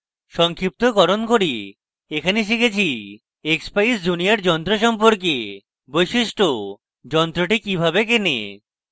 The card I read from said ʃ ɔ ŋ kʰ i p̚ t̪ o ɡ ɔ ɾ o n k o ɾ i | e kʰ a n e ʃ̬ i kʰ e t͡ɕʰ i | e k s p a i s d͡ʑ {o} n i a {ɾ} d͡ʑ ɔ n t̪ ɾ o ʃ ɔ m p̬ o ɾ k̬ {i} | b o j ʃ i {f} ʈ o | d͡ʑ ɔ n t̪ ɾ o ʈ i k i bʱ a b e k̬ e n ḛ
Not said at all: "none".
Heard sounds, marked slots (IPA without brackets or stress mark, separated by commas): u, ɾ, e, ʃ